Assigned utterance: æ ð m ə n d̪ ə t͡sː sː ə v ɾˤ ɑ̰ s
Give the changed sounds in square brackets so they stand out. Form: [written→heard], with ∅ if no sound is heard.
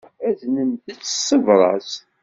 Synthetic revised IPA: æ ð [m→n] ə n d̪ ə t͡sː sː ə v ɾˤ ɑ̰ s